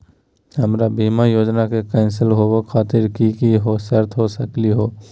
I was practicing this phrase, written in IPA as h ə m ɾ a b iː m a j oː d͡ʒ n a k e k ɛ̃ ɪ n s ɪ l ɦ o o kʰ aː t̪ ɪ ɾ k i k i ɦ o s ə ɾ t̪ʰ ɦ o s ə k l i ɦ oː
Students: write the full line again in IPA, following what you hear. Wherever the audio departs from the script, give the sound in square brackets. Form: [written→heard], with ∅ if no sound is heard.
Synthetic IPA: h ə m ɾ a b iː m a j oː d͡ʒ n a k e k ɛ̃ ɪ n s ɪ l ɦ o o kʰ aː t̪ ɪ ɾ k i k i ɦ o s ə ɾ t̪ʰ ɦ o s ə k l i ɦ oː